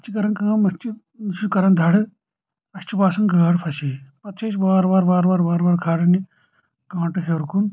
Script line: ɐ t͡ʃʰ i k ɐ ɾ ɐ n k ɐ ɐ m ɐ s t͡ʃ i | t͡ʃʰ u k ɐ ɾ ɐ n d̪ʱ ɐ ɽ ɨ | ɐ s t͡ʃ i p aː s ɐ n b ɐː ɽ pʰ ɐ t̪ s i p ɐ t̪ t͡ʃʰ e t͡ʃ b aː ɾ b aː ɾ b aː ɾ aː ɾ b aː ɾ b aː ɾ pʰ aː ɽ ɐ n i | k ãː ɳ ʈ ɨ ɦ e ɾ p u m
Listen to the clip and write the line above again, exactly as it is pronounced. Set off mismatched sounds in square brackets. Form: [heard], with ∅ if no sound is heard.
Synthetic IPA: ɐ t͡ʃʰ i k ɐ ɾ ɐ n k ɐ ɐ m ɐ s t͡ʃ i | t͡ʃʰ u k ɐ ɾ ɐ n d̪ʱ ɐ ɽ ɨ | ɐ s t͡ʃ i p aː s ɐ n [ɡ] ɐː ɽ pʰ ɐ [∅] s i p ɐ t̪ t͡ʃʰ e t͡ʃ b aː ɾ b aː ɾ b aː ɾ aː ɾ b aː ɾ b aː ɾ [kʰ] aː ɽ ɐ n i | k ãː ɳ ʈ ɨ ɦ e ɾ [k] u [n]